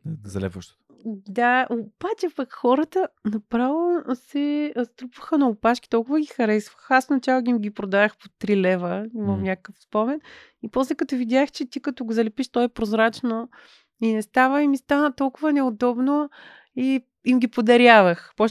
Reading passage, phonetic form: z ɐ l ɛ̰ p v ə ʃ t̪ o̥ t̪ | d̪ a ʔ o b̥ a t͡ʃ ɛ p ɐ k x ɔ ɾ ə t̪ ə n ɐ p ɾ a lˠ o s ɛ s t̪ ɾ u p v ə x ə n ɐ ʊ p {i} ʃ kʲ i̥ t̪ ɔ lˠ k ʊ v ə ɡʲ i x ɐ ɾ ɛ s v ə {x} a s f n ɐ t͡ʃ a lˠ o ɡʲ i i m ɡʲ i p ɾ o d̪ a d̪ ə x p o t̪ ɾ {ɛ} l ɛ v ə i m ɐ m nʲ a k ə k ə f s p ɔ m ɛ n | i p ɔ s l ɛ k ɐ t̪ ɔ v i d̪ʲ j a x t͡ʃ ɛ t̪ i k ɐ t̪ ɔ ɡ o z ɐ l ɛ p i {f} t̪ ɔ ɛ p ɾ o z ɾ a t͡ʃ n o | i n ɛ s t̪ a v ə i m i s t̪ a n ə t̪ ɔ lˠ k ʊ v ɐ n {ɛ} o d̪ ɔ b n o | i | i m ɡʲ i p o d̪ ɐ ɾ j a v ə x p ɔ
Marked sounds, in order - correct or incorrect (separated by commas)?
incorrect, correct, incorrect, incorrect, correct